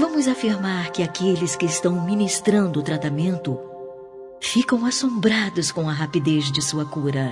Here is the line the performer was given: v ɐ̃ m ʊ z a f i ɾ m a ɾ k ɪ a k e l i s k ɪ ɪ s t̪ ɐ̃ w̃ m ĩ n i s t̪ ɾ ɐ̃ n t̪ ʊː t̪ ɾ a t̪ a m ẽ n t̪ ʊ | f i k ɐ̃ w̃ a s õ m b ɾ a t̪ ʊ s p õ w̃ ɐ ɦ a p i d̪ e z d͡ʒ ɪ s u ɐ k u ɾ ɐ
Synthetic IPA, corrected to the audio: v ɐ̃ m ʊ z a f i ɾ m a ɾ k ɪ a k e l ɪ s k ɪ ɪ s t̪ ɐ̃ w̃ m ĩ n i s t̪ ɾ ɐ̃ n d̪ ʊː t̪ ɾ a t̪ a m ẽ n t̪ ʊ | f i k ɐ̃ w̃ a s õ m b ɾ a d̪ ʊ s k õ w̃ ɐ ɦ a p i d̪ e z d͡ʒ ɪ s u ɐ k u ɾ ɐ